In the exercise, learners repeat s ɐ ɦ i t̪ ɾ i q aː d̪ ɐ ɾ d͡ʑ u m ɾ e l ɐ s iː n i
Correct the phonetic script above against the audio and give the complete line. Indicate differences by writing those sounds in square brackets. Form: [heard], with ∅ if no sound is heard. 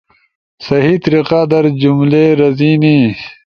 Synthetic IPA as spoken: s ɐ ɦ i t̪ ɾ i q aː d̪ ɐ ɾ d͡ʑ u m [l] e [ɾ] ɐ [z] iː n i